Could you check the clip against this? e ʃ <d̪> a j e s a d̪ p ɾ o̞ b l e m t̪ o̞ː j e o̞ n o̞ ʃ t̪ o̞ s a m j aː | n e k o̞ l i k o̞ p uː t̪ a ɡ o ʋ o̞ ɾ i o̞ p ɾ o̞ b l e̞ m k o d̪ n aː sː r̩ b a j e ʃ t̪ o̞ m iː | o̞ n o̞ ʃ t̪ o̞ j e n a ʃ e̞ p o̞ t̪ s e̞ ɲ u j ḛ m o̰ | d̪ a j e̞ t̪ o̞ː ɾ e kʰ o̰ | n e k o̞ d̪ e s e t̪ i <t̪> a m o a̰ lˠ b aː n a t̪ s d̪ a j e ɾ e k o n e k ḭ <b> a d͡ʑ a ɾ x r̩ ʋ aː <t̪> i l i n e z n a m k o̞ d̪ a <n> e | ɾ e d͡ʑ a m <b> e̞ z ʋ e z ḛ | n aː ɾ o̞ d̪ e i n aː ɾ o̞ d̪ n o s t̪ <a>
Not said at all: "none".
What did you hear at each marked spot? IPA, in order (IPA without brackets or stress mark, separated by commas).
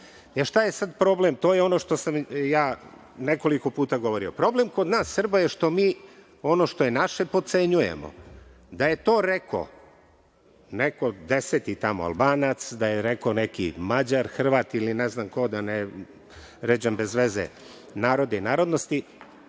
t̪, t̪, m, t̪, n, b, i